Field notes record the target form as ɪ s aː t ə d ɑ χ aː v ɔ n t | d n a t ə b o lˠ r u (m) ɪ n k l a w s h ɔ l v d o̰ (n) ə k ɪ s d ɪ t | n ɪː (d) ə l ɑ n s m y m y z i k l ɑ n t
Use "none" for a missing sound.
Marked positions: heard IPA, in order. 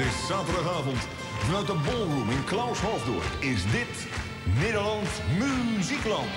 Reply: m, none, d

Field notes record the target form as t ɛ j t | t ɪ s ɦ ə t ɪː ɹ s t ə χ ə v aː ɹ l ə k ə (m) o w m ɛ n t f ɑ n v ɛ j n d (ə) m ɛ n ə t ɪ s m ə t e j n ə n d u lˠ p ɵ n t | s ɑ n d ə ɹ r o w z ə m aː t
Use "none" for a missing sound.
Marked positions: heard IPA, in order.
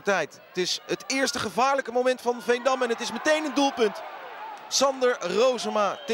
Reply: m, ɑ

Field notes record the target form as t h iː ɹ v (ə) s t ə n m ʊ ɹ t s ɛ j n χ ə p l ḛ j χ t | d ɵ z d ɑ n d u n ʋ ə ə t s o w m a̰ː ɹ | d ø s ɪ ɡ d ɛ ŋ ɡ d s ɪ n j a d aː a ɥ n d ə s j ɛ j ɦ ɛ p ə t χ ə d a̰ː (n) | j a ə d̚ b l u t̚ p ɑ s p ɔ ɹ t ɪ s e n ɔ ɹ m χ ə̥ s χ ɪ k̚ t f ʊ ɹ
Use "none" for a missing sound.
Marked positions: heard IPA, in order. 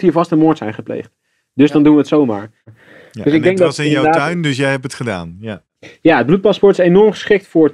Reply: ɑ, n

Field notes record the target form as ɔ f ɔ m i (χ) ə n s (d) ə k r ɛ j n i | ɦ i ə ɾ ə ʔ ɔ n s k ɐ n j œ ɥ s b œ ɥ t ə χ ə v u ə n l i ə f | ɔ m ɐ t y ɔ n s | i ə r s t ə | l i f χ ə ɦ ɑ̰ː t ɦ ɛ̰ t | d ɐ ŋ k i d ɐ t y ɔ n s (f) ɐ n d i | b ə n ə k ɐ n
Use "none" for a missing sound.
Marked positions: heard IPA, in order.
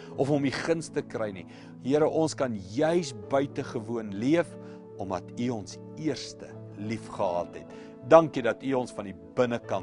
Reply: χ, t, f

